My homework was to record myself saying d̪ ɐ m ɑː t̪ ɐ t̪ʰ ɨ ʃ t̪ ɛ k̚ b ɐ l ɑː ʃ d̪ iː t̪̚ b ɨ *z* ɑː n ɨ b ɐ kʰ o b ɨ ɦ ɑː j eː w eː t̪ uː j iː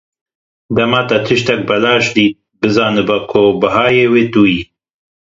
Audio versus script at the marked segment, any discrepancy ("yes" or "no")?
no